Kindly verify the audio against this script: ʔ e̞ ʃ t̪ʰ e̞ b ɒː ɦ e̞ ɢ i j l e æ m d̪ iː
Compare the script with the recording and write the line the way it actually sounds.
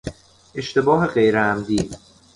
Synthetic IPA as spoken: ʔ e̞ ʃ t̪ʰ e̞ b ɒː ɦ e̞ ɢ e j ɾ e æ m d̪ iː